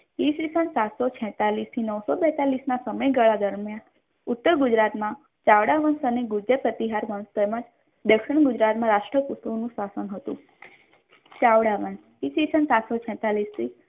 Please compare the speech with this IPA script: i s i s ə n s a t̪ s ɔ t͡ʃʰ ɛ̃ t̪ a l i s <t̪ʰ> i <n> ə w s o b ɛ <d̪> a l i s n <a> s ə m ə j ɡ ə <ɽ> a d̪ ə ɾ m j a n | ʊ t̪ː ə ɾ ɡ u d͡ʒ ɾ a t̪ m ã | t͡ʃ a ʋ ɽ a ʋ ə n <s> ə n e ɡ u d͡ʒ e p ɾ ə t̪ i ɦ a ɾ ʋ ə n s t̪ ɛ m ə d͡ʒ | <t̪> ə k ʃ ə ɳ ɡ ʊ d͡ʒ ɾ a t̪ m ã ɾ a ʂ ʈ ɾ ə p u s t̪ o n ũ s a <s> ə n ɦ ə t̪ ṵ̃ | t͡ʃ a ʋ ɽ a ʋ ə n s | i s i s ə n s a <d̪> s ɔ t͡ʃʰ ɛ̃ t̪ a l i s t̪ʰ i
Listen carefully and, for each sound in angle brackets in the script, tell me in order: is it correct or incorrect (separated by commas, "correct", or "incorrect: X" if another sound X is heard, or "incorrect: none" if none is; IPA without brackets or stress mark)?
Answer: correct, correct, incorrect: t̪, correct, incorrect: ɭ, correct, incorrect: d̪, correct, incorrect: t̪